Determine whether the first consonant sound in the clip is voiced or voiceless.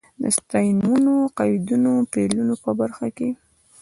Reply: voiced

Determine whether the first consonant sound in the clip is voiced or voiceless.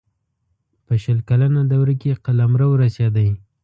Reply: voiceless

